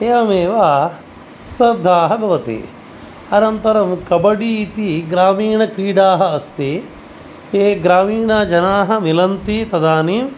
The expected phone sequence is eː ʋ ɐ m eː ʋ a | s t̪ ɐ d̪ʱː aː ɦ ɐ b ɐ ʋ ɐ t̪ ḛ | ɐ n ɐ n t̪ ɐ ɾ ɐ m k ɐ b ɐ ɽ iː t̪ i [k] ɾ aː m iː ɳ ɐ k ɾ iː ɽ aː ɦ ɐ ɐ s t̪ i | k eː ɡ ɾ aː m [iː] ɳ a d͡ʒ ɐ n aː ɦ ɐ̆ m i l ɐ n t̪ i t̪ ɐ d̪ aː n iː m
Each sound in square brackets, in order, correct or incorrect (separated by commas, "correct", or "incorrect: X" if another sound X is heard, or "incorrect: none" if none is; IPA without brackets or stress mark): incorrect: ɡ, correct